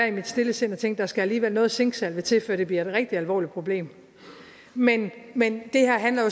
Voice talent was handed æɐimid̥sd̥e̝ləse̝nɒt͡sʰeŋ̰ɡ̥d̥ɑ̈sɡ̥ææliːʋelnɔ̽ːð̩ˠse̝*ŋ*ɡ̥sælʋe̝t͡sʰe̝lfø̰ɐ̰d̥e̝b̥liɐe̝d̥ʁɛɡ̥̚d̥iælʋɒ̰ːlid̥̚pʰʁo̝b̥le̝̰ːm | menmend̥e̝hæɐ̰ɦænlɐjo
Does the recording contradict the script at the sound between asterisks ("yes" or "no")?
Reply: no